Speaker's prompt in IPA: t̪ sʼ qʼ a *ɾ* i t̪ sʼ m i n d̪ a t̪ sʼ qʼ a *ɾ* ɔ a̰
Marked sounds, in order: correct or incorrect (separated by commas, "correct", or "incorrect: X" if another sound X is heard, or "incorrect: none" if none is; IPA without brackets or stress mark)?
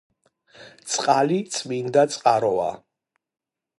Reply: incorrect: l, correct